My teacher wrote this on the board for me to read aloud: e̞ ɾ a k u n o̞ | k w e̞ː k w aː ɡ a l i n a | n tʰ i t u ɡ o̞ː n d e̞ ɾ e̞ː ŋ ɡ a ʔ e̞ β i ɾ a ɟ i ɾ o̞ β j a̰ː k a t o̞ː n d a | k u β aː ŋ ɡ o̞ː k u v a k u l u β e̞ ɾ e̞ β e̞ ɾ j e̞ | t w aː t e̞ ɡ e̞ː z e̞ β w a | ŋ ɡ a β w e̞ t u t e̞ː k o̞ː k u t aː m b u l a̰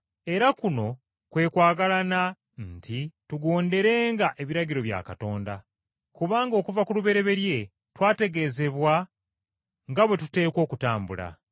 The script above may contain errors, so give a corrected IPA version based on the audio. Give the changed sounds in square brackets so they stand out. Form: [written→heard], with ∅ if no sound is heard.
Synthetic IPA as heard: e̞ ɾ a k u n o̞ | k w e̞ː k w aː ɡ a l [i→a] n a | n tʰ i t u ɡ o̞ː n d e̞ ɾ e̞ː ŋ ɡ a ʔ e̞ β i ɾ a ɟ i ɾ o̞ β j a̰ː k a t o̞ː n d a | k u β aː ŋ ɡ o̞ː k u v a k u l u β e̞ ɾ e̞ β e̞ ɾ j e̞ | t w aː t e̞ ɡ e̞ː z e̞ β w a | ŋ ɡ a β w e̞ t u t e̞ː k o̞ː k u t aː m b u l a̰